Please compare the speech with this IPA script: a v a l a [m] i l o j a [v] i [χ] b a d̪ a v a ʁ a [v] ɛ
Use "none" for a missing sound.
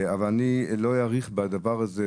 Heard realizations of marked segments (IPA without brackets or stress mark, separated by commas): n, ʁ, χ, z